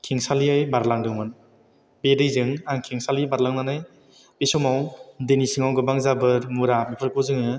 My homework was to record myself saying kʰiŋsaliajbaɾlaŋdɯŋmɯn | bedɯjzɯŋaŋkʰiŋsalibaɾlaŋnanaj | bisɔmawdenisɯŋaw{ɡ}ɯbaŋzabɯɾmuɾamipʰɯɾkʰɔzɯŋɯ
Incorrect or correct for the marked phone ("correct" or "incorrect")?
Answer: correct